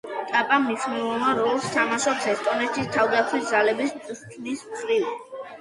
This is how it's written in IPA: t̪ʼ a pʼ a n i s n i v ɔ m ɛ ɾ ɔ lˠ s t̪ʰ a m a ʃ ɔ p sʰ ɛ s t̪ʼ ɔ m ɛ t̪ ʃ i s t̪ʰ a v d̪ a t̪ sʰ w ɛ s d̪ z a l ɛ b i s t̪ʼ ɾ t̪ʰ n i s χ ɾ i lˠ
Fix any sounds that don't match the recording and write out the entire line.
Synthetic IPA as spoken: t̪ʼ a pʼ a m i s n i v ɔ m a ɾ ɔ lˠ s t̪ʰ a m a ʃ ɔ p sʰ ɛ s t̪ʼ ɔ n ɛ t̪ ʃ i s t̪ʰ a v d̪ a t̪ sʰ w i s d̪ z a l ɛ b i s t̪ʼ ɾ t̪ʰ n i s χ ɾ i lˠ